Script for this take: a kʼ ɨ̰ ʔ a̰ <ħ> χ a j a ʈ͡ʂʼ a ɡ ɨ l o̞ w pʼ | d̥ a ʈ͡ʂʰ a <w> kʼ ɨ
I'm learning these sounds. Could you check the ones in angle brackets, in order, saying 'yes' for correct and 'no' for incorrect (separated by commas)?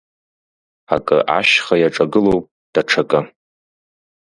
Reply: no, no